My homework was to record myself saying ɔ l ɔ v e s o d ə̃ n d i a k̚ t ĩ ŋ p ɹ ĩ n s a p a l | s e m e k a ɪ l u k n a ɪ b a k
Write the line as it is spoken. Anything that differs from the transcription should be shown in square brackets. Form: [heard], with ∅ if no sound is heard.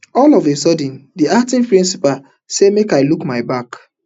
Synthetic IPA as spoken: ɔ l ɔ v e s [ɔ] d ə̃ n d i a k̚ t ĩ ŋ p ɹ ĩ n s [i] p a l | s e m e k a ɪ l u k [m] a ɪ b a k